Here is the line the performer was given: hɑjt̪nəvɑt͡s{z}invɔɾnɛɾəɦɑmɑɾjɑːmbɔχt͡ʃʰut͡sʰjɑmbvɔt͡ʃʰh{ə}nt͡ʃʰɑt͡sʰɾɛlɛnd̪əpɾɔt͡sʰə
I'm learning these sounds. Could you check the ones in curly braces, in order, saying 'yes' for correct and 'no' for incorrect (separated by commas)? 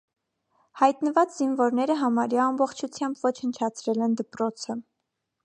yes, yes